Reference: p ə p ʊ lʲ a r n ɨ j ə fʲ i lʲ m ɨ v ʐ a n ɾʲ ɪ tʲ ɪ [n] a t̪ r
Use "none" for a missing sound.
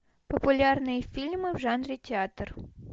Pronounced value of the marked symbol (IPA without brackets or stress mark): none